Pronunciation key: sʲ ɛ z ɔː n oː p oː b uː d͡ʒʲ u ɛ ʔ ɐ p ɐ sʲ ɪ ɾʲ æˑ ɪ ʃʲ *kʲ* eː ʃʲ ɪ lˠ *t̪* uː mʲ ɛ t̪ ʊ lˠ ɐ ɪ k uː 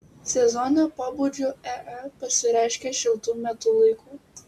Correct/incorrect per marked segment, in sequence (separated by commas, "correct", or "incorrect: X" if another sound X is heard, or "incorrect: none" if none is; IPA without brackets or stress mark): correct, correct